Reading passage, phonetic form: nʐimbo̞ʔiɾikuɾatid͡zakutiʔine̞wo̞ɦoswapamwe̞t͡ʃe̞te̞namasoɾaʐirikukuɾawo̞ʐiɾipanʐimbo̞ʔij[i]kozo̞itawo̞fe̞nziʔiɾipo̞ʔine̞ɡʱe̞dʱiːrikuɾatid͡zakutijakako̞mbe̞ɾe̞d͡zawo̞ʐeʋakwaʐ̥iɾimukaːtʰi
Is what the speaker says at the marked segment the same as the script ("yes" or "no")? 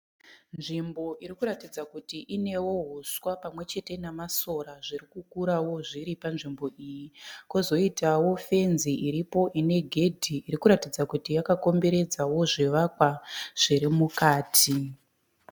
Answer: yes